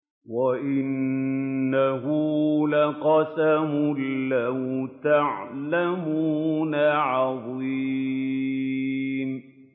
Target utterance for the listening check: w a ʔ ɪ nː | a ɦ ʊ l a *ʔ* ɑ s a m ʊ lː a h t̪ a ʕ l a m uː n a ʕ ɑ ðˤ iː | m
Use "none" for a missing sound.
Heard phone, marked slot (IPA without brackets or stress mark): q